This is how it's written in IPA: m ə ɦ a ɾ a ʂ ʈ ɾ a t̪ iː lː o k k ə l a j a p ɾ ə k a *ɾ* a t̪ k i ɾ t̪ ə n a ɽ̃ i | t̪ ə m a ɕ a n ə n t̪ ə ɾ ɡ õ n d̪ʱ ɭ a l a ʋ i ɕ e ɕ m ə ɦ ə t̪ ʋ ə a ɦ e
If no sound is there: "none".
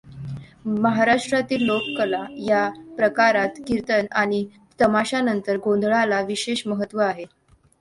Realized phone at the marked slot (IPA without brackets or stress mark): ɾ